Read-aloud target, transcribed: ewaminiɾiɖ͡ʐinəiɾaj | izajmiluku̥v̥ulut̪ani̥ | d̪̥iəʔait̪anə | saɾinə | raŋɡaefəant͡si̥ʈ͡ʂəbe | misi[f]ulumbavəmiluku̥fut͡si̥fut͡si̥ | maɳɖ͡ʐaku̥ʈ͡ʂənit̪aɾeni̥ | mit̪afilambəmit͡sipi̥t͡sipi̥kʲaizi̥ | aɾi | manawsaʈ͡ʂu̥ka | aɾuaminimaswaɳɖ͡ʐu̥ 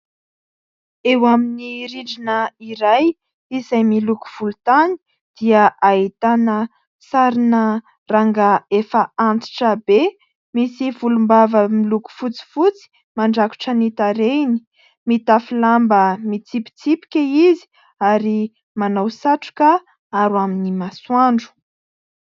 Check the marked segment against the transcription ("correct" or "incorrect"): incorrect